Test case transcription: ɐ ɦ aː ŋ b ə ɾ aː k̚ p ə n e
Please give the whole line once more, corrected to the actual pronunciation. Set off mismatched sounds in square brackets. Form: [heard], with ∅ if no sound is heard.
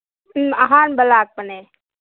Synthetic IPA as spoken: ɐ ɦ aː [n] b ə [l] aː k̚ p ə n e